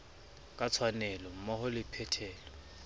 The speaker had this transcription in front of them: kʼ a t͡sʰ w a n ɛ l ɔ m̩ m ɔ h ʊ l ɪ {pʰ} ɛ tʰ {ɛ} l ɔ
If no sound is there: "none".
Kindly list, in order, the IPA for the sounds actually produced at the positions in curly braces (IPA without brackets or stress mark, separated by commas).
pʰ, ɛː